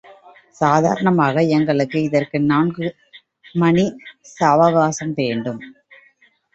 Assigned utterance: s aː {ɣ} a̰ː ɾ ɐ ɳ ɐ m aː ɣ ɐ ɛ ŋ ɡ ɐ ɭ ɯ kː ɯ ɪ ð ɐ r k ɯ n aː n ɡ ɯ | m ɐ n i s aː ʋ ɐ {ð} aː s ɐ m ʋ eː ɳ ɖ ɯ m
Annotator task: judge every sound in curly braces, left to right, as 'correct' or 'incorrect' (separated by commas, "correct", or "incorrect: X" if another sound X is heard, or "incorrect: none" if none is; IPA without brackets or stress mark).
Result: incorrect: ð, incorrect: ɣ